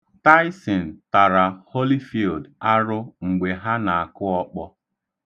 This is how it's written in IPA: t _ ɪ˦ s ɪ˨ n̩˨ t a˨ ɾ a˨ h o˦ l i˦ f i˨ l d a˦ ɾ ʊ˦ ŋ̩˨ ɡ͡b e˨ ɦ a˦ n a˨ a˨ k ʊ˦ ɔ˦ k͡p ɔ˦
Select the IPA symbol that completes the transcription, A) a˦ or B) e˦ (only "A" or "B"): A